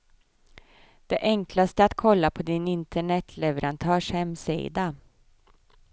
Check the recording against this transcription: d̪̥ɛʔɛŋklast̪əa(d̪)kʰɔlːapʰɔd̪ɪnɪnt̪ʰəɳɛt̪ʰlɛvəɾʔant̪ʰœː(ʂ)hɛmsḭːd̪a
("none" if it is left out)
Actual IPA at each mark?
t̪, ʂ

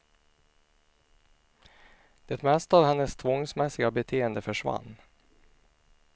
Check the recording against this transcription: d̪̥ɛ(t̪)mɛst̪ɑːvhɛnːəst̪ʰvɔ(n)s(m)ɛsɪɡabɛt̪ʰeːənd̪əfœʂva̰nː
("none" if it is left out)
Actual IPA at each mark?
t̪, ŋ, m

